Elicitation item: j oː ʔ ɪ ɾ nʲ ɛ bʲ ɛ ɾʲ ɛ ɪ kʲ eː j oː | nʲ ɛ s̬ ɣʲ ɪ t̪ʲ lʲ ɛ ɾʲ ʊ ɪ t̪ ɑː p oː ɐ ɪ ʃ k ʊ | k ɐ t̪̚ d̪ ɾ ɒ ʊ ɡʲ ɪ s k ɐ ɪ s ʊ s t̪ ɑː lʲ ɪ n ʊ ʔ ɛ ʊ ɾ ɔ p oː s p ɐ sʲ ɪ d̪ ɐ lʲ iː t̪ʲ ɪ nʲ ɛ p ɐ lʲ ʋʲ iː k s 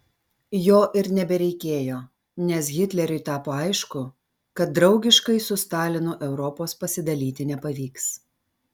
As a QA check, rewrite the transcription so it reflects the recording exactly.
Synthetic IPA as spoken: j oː ʔ ɪ ɾ nʲ ɛ bʲ ɛ ɾʲ ɛ ɪ kʲ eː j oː | nʲ ɛ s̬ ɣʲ ɪ t̪ʲ lʲ ɛ ɾʲ ʊ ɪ t̪ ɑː p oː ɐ ɪ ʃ k ʊ | k ɐ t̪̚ d̪ ɾ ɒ ʊ ɡʲ ɪ ʃ k ɐ ɪ s ʊ s t̪ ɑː lʲ ɪ n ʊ ʔ ɛ ʊ ɾ ɔ p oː s p ɐ sʲ ɪ d̪ ɐ lʲ iː t̪ʲ ɪ nʲ ɛ p ɐ ʋʲ iː k s